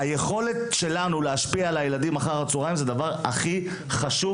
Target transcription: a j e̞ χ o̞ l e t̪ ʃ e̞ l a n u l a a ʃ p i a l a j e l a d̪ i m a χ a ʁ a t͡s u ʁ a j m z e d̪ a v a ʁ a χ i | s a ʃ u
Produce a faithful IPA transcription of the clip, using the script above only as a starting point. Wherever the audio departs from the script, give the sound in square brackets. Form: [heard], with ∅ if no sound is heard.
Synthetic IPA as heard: a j e̞ χ o̞ l e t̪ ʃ e̞ l a n u l [e] a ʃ p i a l a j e l a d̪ i m a χ a ʁ a t͡s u ʁ a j m z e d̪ a v a ʁ a χ i | [χ] a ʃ u